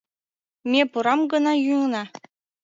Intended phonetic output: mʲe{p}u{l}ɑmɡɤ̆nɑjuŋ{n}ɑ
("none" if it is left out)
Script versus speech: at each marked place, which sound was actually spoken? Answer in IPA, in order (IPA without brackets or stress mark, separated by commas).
p, ɾ, n